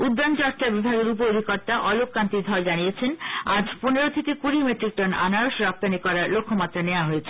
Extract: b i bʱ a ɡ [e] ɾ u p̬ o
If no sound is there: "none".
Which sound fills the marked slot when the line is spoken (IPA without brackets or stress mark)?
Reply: e